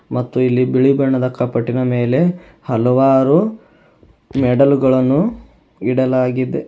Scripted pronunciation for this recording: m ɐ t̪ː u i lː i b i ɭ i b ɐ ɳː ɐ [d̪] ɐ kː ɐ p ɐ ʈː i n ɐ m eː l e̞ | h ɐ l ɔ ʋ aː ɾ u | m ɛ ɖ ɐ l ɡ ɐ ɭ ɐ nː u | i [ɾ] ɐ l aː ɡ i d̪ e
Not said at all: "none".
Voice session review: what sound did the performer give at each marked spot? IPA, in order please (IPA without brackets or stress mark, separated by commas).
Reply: d̪, ɽ